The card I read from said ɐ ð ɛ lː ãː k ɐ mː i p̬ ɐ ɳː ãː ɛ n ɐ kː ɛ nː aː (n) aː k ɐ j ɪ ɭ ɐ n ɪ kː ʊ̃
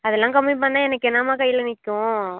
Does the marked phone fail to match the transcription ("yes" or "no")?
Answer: yes